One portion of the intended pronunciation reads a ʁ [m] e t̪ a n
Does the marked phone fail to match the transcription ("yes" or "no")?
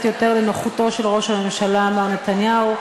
yes